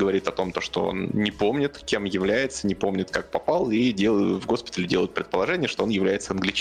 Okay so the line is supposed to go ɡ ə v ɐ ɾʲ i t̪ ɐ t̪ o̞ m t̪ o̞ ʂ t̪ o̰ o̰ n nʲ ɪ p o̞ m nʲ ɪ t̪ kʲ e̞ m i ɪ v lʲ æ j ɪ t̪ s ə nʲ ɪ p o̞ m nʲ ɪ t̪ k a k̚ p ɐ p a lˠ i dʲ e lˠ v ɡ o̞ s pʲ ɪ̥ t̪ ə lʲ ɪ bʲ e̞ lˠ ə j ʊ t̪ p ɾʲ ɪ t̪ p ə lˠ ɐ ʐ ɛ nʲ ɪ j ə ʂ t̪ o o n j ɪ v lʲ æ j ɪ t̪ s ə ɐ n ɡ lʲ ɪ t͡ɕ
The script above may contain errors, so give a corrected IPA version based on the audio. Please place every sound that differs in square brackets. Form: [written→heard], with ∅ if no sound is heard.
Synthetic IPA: ɡ ə v ɐ ɾʲ i t̪ ɐ t̪ o̞ m t̪ o̞ ʂ t̪ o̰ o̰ n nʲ ɪ p o̞ m nʲ ɪ t̪ kʲ e̞ m [i→j] ɪ v lʲ æ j ɪ t̪ s ə nʲ ɪ p o̞ m nʲ ɪ t̪ k a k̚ p ɐ p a lˠ i dʲ e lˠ v ɡ o̞ s pʲ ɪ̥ t̪ ə lʲ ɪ [bʲ→dʲ] e̞ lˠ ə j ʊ t̪ p ɾʲ ɪ t̪ p ə lˠ ɐ ʐ ɛ nʲ ɪ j ə ʂ t̪ o o n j ɪ v lʲ æ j ɪ t̪ s ə ɐ n ɡ lʲ ɪ t͡ɕ